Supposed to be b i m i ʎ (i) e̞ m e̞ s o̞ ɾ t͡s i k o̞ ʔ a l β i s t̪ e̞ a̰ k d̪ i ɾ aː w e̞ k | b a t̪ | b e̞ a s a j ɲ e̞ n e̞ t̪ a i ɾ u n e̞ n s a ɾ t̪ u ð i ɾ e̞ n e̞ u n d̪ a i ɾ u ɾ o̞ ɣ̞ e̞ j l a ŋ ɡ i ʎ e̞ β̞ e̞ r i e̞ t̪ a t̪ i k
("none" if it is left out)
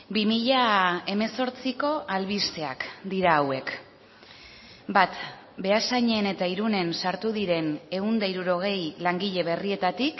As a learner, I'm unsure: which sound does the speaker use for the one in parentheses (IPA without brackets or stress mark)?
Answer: a